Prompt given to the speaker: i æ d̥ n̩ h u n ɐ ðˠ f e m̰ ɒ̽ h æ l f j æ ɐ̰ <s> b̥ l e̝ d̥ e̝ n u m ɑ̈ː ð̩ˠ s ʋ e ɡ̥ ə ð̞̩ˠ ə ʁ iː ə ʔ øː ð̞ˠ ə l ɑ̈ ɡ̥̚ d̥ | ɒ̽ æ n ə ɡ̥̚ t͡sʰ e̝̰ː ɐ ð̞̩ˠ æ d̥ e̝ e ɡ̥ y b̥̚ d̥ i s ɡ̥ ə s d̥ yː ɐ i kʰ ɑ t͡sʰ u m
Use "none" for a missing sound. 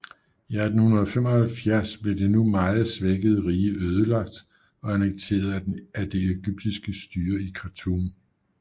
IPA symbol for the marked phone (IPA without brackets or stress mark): s